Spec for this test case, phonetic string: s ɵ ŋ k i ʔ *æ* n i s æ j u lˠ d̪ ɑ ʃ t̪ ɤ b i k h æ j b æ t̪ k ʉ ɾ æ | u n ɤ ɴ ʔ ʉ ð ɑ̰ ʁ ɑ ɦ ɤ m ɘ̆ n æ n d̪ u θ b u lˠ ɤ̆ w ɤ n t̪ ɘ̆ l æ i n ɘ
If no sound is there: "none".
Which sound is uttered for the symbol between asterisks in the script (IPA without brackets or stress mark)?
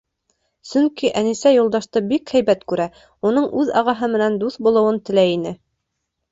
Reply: æ